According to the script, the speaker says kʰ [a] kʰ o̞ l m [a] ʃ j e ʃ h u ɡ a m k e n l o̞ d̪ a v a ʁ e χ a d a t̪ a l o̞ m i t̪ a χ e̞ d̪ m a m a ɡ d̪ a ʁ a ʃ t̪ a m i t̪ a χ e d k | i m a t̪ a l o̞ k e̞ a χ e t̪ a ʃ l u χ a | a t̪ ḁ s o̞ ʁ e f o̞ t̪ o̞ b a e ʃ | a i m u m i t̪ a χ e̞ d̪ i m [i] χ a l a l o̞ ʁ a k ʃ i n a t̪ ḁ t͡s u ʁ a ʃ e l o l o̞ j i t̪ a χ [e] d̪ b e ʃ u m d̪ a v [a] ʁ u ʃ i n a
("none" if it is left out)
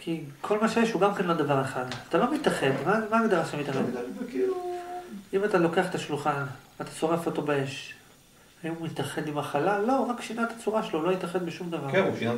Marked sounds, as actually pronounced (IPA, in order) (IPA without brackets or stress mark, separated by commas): i, a, a, e, a